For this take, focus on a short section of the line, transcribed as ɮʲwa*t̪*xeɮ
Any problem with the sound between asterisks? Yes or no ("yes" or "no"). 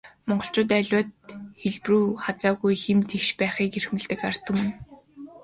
no